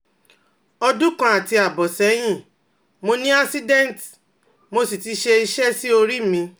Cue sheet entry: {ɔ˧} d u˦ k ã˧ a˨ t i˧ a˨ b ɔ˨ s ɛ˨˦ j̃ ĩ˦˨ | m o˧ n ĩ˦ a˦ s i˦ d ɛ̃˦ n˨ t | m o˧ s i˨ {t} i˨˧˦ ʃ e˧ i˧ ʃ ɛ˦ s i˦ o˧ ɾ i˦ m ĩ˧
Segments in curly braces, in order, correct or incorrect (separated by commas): correct, correct